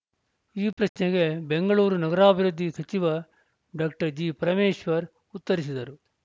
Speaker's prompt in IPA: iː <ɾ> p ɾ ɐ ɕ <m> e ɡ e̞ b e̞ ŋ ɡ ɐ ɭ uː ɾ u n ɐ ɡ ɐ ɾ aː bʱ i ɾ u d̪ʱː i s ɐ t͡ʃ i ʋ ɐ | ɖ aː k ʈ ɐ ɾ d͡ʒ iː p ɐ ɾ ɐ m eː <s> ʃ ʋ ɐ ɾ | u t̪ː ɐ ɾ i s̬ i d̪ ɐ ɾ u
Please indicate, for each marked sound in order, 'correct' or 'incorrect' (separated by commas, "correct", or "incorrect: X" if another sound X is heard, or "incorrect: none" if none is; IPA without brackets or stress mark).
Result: incorrect: none, incorrect: n, incorrect: none